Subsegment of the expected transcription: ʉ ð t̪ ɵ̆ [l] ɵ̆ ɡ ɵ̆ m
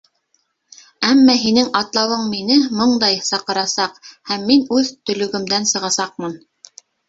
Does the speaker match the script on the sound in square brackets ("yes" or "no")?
yes